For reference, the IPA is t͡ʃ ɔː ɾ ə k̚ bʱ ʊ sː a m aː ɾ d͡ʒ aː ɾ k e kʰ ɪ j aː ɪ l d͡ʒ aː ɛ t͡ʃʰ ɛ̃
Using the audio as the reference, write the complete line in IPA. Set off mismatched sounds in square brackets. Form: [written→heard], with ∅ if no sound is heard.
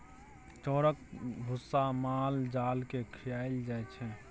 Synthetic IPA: t͡ʃ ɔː ɾ ə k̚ bʱ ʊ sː a m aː [ɾ→l] d͡ʒ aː [ɾ→l] k e kʰ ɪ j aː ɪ l d͡ʒ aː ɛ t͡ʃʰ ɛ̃